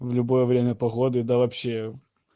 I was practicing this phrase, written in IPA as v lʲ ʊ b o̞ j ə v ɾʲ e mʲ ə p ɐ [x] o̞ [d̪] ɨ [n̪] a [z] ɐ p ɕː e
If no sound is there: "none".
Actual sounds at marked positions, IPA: ɣ, d̪, d̪, v

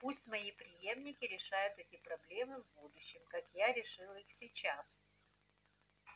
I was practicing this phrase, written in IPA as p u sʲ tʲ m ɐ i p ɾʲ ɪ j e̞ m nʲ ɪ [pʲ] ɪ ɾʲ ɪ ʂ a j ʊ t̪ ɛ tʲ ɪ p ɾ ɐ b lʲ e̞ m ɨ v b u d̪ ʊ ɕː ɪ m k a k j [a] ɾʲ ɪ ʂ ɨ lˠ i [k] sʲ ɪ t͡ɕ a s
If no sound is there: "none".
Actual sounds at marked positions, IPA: kʲ, a, x

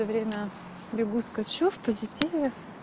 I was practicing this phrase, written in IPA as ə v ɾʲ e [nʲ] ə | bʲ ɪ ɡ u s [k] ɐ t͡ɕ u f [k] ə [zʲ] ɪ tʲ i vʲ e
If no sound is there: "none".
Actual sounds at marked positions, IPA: mʲ, k, p, zʲ

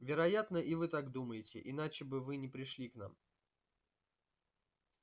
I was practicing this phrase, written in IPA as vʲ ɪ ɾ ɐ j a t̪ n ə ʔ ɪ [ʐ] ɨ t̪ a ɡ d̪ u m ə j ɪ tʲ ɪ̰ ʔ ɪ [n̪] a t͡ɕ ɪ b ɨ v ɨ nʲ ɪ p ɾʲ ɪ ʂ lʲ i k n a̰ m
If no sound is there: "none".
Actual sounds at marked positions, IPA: v, n̪

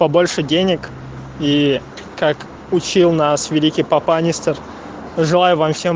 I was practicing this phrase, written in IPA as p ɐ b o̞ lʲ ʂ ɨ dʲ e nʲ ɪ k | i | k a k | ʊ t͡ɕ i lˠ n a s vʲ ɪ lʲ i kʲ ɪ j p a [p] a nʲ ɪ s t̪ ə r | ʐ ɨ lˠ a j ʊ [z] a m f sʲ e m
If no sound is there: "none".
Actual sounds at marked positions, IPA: p, v

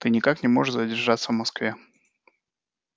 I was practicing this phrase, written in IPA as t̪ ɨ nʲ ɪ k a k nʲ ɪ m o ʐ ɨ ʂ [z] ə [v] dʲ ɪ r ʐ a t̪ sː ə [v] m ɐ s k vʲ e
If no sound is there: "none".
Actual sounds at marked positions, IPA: z, none, v

